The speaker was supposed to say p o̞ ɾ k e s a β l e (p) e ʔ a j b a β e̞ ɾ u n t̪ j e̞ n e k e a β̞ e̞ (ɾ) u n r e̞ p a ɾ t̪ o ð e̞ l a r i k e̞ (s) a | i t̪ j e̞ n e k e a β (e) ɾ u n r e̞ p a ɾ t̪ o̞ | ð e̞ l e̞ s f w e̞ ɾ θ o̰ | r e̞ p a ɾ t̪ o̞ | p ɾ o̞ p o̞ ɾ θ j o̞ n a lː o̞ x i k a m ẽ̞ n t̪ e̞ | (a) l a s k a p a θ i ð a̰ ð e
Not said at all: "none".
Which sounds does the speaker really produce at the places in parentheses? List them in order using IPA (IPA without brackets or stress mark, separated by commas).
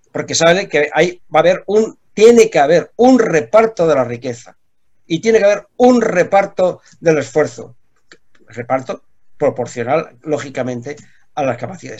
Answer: k, ɾ, θ, e, a